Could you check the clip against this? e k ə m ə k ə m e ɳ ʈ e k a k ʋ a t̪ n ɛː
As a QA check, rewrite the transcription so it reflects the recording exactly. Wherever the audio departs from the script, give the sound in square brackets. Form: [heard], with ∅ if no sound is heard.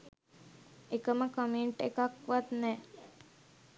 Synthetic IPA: e k ə m ə k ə m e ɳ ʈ e k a k ʋ a t̪ n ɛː